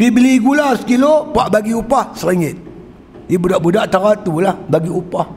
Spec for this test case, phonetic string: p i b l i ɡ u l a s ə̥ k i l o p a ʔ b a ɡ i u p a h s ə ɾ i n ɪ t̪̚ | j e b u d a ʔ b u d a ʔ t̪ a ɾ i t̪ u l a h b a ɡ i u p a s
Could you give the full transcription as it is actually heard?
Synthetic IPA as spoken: p i b l i ɡ u l a s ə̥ k i l o p a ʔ b a ɡ i u p a h s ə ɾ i ŋ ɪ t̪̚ | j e b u d a ʔ b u d a ʔ t̪ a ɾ a t̪ u l a h b a ɡ i u p a h